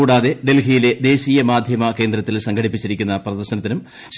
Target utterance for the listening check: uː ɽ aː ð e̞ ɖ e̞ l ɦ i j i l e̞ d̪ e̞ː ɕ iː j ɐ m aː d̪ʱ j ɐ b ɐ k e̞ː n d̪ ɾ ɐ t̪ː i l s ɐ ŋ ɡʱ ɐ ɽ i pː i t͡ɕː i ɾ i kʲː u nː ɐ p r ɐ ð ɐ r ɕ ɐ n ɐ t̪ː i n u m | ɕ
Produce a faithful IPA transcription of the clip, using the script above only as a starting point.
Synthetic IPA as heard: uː ɽ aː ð e̞ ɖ e̞ l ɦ i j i l e̞ d̪ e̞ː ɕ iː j ɐ m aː d̪ʱ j ɐ m ɐ k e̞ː n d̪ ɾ ɐ t̪ː i l s ɐ ŋ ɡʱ ɐ ɽ i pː i t͡ɕː i ɾ i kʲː u nː ɐ p r ɐ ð ɐ r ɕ ɐ n ɐ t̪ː i n u m | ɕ